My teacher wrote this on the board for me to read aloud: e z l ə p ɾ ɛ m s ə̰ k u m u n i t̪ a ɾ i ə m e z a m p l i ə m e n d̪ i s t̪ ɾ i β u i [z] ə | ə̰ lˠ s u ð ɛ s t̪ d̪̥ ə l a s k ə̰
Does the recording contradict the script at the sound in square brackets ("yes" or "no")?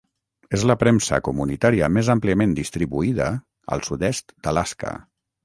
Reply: yes